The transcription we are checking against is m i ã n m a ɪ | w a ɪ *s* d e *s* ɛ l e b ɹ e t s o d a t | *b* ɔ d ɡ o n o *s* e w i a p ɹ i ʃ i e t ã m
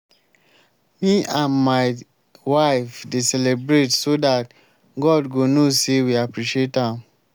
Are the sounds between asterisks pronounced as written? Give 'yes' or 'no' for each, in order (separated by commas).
no, yes, no, yes